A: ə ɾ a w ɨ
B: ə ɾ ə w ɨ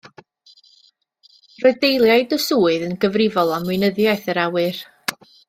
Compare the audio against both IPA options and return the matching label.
A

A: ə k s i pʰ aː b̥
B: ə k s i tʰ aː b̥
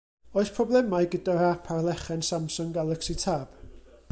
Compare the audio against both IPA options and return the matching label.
B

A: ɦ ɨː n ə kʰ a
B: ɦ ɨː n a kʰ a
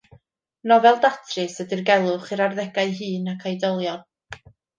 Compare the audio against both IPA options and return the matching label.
B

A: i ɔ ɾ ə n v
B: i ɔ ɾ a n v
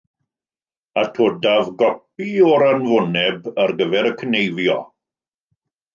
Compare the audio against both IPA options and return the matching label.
B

